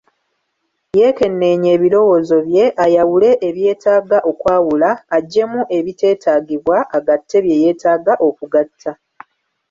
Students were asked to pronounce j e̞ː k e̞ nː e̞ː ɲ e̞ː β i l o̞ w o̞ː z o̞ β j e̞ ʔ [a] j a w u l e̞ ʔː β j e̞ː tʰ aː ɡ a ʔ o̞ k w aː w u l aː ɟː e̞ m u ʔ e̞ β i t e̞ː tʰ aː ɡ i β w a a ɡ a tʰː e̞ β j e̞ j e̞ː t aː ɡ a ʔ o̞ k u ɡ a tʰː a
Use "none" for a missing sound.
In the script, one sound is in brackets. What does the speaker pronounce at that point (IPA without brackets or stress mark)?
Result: a